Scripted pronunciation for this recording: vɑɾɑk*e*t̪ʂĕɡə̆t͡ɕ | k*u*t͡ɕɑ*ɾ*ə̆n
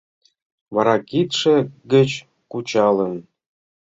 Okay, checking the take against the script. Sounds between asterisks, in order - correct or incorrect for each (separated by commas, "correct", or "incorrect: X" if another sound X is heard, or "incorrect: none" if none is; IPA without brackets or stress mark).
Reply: incorrect: i, correct, incorrect: l